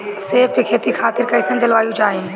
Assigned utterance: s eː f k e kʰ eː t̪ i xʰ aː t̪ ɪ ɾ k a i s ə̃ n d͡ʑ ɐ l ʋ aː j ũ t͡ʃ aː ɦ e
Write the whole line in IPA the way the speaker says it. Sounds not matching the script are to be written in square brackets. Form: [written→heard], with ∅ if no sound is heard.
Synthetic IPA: s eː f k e kʰ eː t̪ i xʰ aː t̪ ɪ ɾ k [a→ɐ] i s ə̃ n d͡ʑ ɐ l ʋ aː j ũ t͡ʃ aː ɦ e